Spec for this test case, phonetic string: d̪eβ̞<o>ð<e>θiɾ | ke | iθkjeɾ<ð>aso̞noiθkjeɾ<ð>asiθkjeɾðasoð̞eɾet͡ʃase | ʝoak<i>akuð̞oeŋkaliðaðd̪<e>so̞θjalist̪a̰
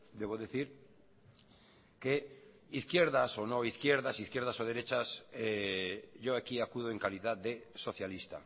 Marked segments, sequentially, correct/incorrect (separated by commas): correct, correct, correct, correct, correct, correct